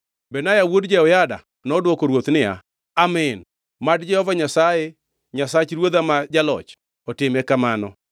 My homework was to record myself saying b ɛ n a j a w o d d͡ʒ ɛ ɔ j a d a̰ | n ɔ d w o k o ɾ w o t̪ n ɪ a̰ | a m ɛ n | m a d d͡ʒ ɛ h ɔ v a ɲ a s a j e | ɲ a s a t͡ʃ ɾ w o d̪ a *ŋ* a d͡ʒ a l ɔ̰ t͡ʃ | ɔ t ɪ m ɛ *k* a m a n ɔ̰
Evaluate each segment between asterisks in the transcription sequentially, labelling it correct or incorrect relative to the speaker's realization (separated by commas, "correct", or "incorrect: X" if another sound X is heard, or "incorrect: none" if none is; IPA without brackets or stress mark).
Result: incorrect: m, correct